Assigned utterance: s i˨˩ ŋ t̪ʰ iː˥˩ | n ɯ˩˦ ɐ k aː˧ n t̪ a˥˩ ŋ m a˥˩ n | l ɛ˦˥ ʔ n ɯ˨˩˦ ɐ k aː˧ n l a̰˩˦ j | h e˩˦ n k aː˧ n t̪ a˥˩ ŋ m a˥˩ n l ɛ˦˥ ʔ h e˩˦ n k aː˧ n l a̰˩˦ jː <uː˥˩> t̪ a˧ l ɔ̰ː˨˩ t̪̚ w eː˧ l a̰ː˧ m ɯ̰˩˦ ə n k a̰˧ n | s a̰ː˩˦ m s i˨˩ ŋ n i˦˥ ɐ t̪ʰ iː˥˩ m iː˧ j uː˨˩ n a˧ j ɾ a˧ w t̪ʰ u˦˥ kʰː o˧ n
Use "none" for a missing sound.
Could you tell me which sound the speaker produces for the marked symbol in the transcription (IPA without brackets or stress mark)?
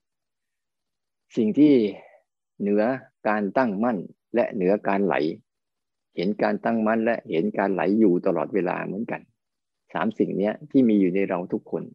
uː˨˩